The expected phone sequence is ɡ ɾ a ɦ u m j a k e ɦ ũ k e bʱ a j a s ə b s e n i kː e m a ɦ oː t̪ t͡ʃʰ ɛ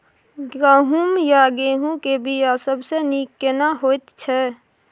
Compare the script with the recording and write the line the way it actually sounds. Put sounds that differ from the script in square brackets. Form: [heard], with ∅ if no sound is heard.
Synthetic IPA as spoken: ɡ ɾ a ɦ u m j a [ɡ] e ɦ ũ k e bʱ [i] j a s ə b s e n i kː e [n] a ɦ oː t̪ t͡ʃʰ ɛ